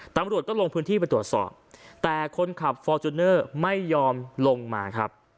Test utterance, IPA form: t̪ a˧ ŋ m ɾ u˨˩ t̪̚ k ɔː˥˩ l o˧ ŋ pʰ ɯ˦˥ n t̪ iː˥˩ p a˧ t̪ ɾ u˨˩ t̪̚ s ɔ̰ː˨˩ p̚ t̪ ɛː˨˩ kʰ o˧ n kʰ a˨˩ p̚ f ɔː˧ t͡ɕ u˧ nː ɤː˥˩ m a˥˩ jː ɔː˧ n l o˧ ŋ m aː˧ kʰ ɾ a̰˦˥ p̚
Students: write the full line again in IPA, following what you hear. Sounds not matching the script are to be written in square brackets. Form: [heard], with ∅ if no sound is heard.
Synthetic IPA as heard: t̪ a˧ [∅] m ɾ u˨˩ t̪̚ k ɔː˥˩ l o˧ ŋ pʰ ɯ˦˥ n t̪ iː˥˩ p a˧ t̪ ɾ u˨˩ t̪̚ s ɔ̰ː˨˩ p̚ t̪ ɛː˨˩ kʰ o˧ n kʰ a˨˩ p̚ f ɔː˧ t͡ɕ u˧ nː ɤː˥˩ m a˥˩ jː ɔː˧ [m] l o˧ ŋ m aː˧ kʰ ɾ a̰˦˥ p̚